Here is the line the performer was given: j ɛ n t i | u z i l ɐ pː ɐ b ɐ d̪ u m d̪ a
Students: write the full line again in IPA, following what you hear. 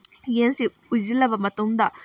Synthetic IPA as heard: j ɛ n s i | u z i l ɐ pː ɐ m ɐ t̪ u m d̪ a